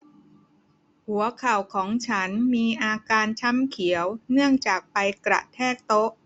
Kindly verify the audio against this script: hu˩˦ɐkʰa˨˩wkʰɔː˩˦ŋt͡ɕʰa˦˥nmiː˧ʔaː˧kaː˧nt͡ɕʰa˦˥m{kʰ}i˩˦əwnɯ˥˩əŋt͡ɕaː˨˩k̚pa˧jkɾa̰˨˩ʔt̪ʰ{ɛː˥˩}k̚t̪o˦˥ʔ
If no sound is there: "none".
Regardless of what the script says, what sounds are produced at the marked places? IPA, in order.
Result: kʰ, ɛː˥˩

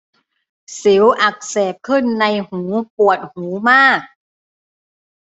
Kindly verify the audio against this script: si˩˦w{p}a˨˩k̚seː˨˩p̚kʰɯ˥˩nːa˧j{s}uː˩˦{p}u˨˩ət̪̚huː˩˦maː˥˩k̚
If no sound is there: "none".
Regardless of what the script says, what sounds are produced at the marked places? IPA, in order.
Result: ʔ, h, p

